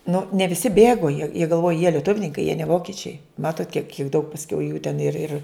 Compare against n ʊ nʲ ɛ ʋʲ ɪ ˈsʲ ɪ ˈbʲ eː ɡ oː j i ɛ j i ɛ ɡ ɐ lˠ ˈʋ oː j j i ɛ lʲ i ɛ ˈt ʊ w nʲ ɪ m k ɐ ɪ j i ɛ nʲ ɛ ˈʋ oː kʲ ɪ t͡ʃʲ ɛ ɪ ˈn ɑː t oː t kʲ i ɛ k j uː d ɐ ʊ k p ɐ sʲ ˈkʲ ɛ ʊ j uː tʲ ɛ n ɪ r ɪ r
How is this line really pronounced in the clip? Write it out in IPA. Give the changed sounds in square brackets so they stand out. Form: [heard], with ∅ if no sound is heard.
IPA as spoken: n ʊ nʲ ɛ ʋʲ ɪ ˈsʲ ɪ ˈbʲ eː ɡ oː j i ɛ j i ɛ ɡ ɐ lˠ ˈʋ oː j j i ɛ lʲ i ɛ ˈt ʊ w nʲ ɪ [ŋ] k ɐ ɪ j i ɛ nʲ ɛ ˈʋ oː kʲ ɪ t͡ʃʲ ɛ ɪ [ˈm] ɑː t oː t kʲ i ɛ k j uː d ɐ ʊ k p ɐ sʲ ˈkʲ ɛ ʊ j uː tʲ ɛ n ɪ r ɪ r